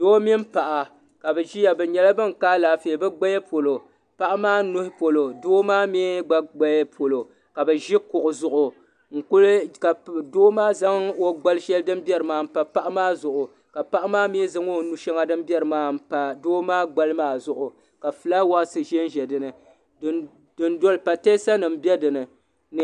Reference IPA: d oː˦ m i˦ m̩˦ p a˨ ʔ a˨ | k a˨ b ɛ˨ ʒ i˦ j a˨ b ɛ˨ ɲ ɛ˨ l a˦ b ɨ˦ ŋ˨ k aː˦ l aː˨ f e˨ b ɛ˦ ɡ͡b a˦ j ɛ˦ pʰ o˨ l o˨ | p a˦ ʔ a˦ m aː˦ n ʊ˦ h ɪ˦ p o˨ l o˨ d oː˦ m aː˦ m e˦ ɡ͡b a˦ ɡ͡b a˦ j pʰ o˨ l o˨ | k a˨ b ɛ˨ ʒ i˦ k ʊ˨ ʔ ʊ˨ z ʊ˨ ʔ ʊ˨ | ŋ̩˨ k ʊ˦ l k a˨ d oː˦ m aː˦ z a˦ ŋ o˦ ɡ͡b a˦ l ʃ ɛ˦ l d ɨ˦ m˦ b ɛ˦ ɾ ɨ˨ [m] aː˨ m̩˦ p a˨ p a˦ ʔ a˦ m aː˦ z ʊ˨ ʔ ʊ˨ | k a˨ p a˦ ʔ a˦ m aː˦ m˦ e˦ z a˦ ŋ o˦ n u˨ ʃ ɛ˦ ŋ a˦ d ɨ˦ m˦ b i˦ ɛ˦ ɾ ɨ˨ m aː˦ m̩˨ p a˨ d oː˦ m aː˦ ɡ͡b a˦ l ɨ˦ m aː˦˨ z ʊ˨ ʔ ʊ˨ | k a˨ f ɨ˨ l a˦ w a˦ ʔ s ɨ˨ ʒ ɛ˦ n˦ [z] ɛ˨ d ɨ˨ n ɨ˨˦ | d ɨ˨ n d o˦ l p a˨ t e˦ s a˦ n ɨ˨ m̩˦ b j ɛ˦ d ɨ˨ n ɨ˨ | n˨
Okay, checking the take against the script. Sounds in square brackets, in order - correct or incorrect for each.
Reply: correct, incorrect: ʒ

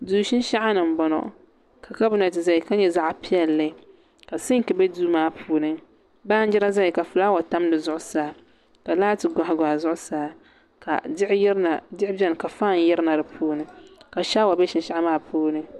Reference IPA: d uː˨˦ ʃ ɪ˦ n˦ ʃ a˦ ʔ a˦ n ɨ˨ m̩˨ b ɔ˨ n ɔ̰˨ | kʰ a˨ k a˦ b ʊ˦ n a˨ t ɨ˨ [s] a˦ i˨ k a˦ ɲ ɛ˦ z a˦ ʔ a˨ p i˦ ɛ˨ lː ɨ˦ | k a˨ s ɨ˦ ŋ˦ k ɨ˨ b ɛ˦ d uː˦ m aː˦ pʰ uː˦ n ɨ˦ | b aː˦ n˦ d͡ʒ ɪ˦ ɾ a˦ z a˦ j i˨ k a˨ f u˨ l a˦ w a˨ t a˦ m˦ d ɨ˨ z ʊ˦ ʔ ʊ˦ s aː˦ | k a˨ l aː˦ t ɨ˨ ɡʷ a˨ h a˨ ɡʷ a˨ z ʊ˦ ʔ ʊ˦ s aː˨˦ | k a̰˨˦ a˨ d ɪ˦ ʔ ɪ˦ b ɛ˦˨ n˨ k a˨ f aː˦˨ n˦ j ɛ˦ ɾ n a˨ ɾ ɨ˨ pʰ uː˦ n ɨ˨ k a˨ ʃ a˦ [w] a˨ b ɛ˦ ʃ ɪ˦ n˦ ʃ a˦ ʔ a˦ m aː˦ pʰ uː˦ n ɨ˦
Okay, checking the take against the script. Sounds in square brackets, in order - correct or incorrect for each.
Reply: incorrect: z, correct

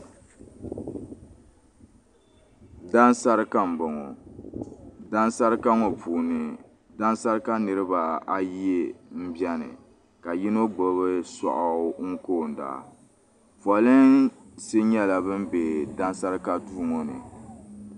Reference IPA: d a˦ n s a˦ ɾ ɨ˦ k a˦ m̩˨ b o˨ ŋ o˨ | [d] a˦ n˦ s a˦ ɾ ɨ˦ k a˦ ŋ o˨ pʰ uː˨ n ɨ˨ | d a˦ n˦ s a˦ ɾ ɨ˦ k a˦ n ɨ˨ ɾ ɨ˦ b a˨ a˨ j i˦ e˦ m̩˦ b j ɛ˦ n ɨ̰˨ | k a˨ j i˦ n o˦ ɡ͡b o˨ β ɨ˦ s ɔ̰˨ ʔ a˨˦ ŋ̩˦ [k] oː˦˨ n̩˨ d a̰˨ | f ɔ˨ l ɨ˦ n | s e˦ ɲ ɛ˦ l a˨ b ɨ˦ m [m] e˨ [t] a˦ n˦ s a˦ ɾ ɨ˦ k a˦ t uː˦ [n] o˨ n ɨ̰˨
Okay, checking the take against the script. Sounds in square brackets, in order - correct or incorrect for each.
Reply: correct, correct, incorrect: b, incorrect: d, incorrect: ŋ

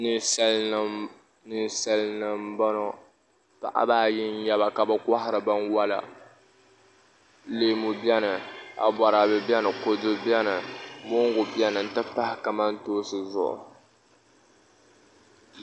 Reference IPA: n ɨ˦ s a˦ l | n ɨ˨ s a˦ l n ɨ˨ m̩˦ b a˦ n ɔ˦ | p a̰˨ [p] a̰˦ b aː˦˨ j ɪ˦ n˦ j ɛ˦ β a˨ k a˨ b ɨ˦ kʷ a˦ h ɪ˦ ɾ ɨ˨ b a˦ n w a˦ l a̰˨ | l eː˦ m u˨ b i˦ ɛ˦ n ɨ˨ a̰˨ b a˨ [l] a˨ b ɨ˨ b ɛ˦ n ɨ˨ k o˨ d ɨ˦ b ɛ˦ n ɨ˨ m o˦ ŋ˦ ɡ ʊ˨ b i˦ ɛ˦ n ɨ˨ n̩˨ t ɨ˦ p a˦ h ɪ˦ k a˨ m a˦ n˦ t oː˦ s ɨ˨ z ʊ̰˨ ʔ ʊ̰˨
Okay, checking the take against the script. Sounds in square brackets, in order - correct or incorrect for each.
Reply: incorrect: ʔ, incorrect: ɾ

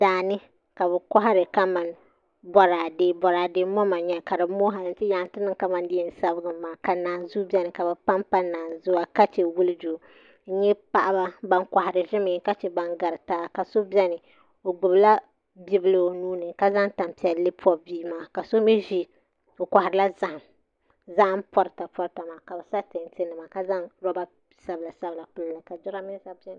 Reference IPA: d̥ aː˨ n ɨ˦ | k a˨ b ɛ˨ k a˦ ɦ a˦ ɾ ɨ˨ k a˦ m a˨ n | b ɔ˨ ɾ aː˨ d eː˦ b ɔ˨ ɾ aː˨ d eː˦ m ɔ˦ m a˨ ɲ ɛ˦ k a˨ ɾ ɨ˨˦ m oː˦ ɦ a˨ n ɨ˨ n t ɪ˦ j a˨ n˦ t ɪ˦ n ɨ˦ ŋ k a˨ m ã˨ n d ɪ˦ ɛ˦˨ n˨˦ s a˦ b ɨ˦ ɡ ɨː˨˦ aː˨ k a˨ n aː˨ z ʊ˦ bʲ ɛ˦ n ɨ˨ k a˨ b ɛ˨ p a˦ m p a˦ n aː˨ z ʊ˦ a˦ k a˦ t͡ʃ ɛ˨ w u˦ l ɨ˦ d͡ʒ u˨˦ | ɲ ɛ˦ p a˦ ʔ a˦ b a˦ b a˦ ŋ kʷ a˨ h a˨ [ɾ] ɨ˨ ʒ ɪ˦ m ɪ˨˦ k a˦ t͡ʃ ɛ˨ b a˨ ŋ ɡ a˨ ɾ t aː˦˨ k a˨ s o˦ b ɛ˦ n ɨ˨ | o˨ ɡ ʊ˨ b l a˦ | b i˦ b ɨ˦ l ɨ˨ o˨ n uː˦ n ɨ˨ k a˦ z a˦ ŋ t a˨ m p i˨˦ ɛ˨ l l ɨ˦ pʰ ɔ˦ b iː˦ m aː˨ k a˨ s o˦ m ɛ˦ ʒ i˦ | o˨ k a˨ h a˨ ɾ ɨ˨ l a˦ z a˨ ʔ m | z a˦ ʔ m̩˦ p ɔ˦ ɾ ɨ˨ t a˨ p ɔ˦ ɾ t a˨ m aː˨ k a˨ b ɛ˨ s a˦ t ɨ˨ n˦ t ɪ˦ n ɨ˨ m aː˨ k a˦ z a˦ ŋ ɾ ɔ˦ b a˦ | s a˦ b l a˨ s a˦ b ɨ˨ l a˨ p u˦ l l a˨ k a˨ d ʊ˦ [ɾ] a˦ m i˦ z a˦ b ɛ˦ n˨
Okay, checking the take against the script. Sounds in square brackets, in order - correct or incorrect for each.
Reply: correct, correct

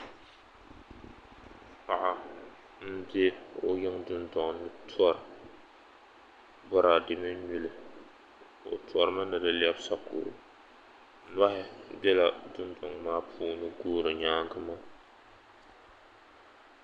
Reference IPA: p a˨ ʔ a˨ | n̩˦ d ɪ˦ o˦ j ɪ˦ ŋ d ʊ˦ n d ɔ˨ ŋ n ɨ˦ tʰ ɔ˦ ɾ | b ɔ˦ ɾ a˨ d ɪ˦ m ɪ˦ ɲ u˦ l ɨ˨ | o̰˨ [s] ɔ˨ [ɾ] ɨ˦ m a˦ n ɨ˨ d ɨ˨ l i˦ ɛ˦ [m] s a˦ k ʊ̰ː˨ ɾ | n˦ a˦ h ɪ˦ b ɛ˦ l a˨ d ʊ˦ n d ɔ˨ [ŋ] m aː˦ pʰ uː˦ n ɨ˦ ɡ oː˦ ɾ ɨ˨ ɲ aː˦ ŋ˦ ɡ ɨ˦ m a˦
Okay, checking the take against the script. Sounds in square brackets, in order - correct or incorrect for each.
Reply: incorrect: t, correct, incorrect: b, correct

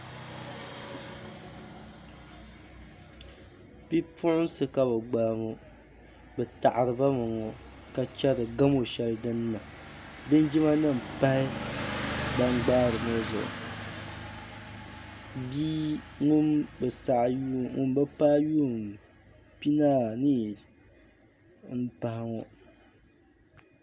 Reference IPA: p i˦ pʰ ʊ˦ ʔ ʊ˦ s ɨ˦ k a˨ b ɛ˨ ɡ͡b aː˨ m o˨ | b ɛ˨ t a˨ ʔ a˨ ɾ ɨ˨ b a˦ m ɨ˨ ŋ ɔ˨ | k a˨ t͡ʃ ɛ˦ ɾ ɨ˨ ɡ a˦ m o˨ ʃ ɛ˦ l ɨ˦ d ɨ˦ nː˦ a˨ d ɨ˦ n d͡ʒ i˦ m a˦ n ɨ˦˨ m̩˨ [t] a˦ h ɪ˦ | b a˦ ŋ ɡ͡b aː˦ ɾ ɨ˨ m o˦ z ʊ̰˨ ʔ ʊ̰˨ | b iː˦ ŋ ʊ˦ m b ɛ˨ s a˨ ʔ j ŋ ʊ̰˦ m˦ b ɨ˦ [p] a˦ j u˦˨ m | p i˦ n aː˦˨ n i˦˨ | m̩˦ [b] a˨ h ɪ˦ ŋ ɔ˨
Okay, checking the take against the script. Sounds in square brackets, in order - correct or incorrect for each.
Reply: incorrect: p, correct, incorrect: p

